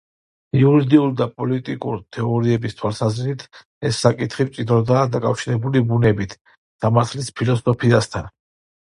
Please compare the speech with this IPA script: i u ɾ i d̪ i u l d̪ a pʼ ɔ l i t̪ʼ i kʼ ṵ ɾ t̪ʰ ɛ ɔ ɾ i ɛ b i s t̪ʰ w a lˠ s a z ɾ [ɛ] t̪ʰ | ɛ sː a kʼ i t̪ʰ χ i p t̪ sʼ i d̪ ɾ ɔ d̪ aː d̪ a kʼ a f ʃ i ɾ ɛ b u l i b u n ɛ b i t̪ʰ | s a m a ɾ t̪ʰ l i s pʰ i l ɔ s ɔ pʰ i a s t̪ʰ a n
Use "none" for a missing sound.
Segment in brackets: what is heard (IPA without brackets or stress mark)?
i